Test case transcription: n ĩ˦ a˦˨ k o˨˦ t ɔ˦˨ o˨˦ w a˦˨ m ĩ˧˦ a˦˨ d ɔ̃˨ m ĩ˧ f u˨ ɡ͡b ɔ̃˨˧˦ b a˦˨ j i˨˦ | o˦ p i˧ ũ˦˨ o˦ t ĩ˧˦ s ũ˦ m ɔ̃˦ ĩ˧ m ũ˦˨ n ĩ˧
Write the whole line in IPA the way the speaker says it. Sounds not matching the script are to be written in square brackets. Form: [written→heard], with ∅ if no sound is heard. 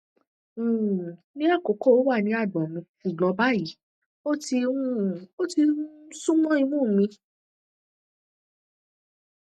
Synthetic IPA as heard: n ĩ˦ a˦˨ k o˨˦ [t→k] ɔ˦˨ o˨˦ w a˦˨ [m→n] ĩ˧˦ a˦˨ d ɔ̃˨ m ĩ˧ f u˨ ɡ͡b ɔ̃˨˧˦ b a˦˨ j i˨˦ | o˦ [p→t] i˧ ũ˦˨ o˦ t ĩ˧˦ s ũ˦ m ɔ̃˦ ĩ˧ m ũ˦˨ [n→m] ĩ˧

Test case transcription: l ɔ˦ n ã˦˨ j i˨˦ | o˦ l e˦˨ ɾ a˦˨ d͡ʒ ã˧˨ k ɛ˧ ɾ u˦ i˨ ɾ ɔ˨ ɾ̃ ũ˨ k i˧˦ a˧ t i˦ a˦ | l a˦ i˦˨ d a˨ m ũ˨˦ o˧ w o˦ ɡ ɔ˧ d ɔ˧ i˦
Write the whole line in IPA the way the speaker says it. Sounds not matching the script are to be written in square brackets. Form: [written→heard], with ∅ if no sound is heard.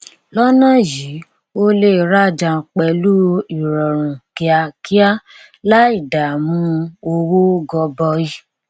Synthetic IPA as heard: l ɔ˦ n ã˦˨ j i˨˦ | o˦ l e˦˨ ɾ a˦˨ d͡ʒ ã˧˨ [k→k͡p] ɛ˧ [ɾ→l] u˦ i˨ ɾ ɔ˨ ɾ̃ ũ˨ k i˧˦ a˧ [t→k] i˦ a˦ | l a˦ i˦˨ d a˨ m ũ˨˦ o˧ w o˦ ɡ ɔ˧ [d→b] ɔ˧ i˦

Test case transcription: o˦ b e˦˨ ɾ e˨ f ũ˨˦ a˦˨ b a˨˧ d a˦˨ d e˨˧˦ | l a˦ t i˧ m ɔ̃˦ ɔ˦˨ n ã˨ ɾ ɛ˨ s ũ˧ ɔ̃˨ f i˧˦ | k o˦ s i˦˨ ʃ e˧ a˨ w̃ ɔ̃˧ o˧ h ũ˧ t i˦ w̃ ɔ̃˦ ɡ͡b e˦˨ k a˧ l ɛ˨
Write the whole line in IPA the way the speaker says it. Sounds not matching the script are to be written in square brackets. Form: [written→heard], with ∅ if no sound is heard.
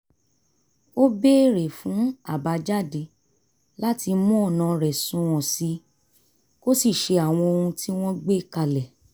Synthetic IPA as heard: o˦ b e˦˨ ɾ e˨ f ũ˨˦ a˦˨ b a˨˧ [d→d͡ʒ] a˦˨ d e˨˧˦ | l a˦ t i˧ m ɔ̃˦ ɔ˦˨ n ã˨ ɾ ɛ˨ s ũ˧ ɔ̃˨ [f→s] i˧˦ | k o˦ s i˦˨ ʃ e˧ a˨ w̃ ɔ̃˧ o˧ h ũ˧ t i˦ w̃ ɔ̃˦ ɡ͡b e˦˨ k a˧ l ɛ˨

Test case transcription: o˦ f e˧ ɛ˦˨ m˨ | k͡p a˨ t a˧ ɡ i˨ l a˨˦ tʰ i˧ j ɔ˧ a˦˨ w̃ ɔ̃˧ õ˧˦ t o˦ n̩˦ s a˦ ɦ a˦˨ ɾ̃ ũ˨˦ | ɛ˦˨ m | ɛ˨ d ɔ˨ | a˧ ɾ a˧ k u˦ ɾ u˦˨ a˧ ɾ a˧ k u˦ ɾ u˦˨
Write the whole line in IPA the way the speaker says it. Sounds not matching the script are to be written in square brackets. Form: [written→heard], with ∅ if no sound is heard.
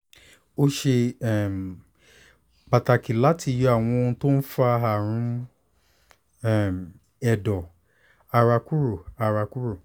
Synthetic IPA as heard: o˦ [f→ʃ] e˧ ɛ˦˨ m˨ | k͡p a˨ t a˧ [ɡ→k] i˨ l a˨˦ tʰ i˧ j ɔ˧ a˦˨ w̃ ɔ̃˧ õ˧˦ t o˦ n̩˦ [s→f] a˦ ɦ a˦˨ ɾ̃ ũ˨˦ | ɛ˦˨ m | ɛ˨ d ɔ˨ | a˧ ɾ a˧ k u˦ ɾ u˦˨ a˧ ɾ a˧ k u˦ ɾ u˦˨

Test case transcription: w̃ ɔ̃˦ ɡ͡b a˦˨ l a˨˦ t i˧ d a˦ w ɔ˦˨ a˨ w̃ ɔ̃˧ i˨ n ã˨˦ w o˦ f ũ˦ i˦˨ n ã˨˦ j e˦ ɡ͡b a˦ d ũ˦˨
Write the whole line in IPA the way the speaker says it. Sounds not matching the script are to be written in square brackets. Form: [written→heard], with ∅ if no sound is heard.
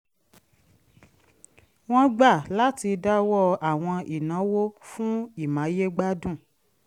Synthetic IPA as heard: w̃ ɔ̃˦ ɡ͡b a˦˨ l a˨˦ t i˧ d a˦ w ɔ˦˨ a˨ w̃ ɔ̃˧ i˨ n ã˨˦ w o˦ f ũ˦ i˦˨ [n→m] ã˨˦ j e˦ ɡ͡b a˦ d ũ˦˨

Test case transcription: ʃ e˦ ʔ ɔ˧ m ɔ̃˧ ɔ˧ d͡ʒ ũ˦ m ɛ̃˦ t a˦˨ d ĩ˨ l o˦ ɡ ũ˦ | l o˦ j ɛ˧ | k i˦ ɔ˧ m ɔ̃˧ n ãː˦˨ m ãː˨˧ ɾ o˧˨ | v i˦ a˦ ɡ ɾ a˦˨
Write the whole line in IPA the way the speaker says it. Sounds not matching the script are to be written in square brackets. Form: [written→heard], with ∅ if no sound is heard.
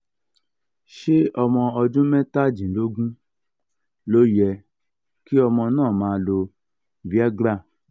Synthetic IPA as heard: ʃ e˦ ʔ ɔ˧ m ɔ̃˧ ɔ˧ d͡ʒ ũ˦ m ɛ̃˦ t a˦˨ [d→d͡ʒ] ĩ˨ l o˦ ɡ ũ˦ | l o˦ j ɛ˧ | k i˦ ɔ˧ m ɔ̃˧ n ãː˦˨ m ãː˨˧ [ɾ→l] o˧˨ | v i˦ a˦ ɡ ɾ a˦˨

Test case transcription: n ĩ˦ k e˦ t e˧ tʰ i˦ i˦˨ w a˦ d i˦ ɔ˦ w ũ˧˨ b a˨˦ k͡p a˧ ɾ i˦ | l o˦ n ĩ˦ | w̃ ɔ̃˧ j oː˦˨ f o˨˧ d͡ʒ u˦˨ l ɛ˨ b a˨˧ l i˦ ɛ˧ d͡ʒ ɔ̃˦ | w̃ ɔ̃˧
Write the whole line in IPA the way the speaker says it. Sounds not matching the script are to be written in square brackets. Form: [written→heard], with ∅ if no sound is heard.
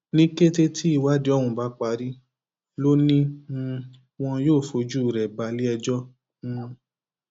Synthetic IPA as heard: n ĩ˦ k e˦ t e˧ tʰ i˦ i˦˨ w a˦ d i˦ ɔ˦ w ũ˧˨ b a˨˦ k͡p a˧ ɾ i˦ | l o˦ n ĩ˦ | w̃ ɔ̃˧ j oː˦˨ f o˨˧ d͡ʒ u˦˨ [l→ɾ] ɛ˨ b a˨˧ l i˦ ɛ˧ d͡ʒ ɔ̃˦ | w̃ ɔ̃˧

